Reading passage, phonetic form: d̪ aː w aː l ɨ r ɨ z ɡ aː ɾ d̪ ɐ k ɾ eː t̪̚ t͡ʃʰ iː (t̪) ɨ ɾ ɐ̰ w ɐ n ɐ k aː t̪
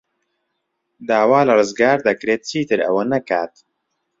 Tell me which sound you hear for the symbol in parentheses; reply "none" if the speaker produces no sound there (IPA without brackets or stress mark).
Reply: t̪